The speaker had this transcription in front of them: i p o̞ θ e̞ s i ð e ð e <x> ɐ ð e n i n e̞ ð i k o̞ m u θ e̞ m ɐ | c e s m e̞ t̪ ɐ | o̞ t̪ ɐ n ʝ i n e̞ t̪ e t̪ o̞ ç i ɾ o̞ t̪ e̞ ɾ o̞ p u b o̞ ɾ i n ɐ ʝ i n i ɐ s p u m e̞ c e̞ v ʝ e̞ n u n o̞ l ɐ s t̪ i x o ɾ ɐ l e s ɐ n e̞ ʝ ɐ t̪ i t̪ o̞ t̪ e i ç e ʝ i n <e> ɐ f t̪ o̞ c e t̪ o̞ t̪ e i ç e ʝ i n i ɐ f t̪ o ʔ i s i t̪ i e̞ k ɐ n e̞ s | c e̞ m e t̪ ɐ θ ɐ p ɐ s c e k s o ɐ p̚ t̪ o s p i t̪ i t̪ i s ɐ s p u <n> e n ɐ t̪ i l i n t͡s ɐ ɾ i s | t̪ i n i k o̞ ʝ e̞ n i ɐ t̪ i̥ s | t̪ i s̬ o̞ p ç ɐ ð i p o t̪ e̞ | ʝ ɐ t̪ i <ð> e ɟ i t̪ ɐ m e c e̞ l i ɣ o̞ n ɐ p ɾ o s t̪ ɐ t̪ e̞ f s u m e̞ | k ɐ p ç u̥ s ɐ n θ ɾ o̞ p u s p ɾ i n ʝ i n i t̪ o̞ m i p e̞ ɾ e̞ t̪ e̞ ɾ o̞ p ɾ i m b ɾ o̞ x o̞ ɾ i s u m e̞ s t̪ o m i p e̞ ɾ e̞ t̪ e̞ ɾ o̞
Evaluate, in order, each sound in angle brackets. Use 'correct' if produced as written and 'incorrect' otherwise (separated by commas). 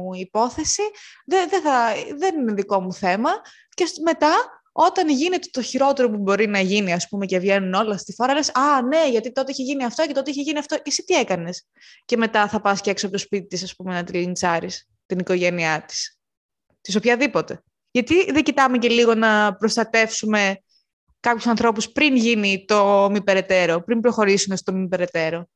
incorrect, incorrect, incorrect, correct